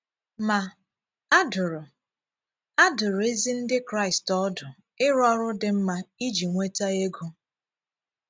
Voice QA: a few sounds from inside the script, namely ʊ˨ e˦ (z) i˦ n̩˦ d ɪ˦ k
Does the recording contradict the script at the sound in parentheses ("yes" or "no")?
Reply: no